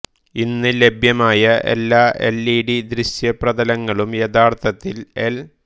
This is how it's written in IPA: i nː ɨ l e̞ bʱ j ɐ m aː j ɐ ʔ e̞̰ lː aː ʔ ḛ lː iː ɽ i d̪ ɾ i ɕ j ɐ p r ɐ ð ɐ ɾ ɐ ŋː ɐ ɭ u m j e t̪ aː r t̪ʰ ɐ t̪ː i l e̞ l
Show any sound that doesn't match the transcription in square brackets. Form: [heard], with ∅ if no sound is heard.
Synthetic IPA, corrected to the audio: i nː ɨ l e̞ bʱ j ɐ m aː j ɐ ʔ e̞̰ lː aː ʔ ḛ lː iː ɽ i d̪ ɾ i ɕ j ɐ p r ɐ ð ɐ [l] ɐ ŋː ɐ ɭ u m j e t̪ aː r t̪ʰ ɐ t̪ː i l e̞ l